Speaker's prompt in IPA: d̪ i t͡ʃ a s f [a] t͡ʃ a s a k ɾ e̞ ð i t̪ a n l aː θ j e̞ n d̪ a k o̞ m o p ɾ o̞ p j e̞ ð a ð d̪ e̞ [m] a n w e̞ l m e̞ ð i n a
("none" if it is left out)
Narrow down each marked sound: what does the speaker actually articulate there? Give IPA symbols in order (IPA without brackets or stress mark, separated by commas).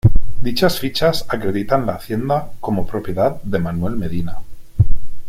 i, m